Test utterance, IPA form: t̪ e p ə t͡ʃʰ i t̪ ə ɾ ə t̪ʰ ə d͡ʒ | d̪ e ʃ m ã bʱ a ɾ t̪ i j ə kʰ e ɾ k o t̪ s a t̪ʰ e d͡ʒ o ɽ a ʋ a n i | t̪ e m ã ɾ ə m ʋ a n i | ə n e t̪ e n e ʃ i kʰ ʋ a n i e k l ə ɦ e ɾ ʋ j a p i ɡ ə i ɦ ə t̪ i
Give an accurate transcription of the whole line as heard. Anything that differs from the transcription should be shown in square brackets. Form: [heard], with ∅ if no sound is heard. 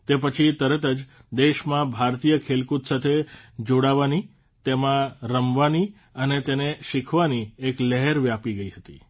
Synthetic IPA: t̪ e p ə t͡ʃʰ i t̪ ə ɾ ə [t̪] ə d͡ʒ | d̪ e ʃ m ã bʱ a ɾ t̪ i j ə kʰ e [l] k [u] t̪ s a t̪ʰ e d͡ʒ o ɽ a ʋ a n i | t̪ e m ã ɾ ə m ʋ a n i | ə n e t̪ e n e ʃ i kʰ ʋ a n i e k l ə ɦ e ɾ ʋ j a p i ɡ ə i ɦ ə t̪ i

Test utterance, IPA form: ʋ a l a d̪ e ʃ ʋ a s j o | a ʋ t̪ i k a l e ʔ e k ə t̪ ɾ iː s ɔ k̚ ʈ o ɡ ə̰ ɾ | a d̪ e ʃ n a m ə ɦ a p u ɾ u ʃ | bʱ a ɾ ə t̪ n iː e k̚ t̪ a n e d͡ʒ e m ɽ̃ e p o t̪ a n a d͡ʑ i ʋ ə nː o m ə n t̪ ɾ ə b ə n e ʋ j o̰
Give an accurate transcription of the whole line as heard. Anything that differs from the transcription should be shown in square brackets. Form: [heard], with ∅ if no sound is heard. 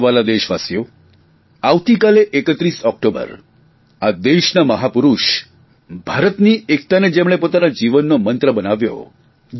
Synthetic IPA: ʋ a l a d̪ e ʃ ʋ a s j o | a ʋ t̪ i k a l e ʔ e k ə t̪ ɾ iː s ɔ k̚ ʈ o [b] ə̰ ɾ | a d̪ e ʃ n a m ə ɦ a p u ɾ u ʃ | bʱ a ɾ ə t̪ n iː e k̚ t̪ a n e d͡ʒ e m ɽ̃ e p o t̪ a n a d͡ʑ i ʋ ə nː o m ə n t̪ ɾ ə b ə n [a] ʋ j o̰

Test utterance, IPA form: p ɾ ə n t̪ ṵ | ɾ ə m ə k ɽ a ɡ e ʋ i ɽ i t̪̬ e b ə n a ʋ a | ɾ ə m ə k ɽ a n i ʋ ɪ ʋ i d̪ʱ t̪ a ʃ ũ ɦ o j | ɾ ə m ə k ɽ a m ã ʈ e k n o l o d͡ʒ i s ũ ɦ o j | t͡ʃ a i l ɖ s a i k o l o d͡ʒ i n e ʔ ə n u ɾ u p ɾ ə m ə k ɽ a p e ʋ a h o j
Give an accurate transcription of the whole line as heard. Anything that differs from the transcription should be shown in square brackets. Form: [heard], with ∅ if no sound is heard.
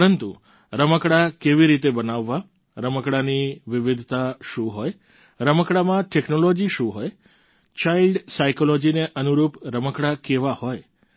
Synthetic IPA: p ɾ ə n t̪ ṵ | ɾ ə m ə k ɽ a [k] e ʋ i [ɾ] i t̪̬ e b ə n a [ʋː] a | ɾ ə m ə k ɽ a n i ʋ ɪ ʋ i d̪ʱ t̪ a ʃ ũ ɦ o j | ɾ ə m ə k ɽ a m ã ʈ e k n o l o d͡ʒ i [ʃ] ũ ɦ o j | t͡ʃ a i l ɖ s a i k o l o d͡ʒ i n e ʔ ə n u ɾ u p ɾ ə m ə k ɽ a [k] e ʋ a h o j

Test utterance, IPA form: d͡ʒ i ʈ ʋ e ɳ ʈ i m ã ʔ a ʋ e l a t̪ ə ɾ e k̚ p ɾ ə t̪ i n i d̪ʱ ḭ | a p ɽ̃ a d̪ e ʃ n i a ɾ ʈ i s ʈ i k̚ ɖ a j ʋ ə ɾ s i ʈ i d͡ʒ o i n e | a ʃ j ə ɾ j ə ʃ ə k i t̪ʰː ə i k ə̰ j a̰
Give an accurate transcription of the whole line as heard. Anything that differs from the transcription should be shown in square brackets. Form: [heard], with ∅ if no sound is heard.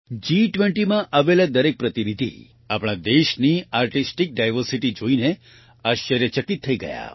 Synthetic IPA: d͡ʒ i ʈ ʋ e ɳ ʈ i m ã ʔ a ʋ e l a [d̪] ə ɾ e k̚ p ɾ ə t̪ i n i d̪ʱ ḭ | a p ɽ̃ a d̪ e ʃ n i a ɾ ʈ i s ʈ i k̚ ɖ a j ʋ ə ɾ s i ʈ i d͡ʒ o i n e | a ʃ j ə ɾ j ə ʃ ə k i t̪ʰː ə i [ɡ] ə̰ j a̰

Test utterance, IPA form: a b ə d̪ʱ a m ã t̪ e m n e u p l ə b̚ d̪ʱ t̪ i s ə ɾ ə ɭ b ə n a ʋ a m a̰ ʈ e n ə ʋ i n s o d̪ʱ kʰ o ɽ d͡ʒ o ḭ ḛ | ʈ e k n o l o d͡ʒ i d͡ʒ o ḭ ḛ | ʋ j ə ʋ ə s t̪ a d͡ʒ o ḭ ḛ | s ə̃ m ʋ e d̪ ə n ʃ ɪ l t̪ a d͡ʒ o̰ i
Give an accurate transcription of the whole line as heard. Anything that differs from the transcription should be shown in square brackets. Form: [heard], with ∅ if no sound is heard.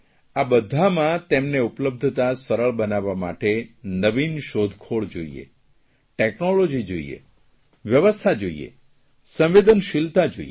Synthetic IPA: a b ə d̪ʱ a m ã t̪ e m n e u p l ə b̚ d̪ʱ t̪ [a] s ə ɾ ə ɭ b ə n a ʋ a m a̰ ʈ e n ə ʋ i n [ʃ] o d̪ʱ kʰ o [ɭ] d͡ʒ o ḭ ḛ | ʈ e k n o l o d͡ʒ i d͡ʒ o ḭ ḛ | ʋ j ə ʋ ə s [t̪ʰ] a d͡ʒ o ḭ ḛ | s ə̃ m ʋ e d̪ ə n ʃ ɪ l t̪ a d͡ʒ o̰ i

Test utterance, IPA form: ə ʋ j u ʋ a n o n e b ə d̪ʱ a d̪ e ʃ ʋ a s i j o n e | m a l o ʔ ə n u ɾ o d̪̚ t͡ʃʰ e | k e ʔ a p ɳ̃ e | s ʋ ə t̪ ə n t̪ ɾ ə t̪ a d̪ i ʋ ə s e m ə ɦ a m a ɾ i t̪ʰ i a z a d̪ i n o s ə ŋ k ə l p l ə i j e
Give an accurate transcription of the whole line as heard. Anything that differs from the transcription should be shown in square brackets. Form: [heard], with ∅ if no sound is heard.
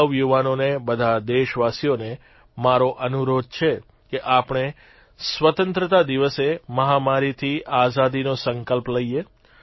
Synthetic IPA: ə ʋ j u ʋ a n o n e b ə d̪ʱ a d̪ e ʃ ʋ a s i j o n e | m a [ɾ] o ʔ ə n u ɾ o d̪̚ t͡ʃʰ e | k e ʔ a p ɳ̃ e | s ʋ ə t̪ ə n t̪ ɾ ə t̪ a d̪ i ʋ ə s e m ə ɦ a m a ɾ i t̪ʰ i a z a d̪ i n o s ə ŋ k ə l p l ə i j e

